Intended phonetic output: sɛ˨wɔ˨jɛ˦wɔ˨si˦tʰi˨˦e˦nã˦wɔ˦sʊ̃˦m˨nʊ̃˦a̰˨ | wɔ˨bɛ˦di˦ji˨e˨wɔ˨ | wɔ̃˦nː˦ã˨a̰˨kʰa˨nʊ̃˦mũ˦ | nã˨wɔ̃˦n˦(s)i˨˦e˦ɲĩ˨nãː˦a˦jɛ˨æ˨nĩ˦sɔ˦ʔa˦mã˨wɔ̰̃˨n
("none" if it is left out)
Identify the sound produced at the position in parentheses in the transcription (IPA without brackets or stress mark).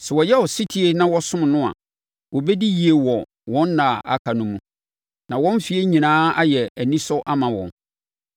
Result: f